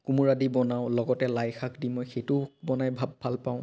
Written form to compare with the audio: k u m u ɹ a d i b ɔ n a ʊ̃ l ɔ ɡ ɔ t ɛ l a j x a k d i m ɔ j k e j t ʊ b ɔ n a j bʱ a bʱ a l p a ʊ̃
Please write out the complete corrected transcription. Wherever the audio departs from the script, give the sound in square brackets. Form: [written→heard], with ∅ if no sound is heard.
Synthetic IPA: k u m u ɹ a d i b ɔ n a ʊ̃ l ɔ ɡ ɔ t ɛ l a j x a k d i m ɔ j [k→x] e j t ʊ b ɔ n a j bʱ a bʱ a l p a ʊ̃